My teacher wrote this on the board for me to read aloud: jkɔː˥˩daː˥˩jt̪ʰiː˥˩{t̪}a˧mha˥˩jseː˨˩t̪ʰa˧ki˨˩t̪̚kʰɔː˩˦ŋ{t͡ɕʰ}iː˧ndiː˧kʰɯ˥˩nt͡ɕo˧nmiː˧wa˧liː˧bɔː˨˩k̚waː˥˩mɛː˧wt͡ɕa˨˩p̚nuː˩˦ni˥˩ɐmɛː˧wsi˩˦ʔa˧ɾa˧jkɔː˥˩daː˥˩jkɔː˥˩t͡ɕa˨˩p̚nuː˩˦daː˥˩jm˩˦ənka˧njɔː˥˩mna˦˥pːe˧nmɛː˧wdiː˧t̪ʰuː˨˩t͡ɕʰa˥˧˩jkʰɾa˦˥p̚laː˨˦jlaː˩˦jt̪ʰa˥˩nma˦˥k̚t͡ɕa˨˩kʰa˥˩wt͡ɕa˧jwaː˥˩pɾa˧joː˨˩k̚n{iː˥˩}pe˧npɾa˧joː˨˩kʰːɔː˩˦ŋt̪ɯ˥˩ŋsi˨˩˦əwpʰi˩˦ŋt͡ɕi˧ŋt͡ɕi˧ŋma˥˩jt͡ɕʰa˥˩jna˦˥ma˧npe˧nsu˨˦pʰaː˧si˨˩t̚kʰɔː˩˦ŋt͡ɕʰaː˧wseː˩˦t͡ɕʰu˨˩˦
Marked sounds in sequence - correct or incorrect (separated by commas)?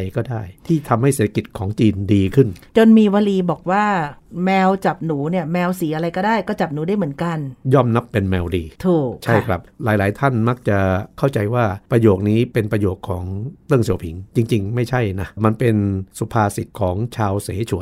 incorrect, incorrect, incorrect